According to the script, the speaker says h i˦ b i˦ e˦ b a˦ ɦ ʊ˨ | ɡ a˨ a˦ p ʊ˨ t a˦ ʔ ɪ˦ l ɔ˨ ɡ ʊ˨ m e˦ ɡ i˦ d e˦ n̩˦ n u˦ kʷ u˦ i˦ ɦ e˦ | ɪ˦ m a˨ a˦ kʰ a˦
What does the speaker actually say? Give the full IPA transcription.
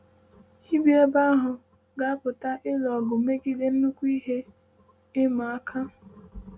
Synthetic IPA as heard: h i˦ b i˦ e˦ b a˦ ɦ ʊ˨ | ɡ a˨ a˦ p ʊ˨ t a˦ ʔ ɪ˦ l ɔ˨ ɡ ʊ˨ m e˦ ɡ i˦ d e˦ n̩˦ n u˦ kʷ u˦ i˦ ɦ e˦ | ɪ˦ m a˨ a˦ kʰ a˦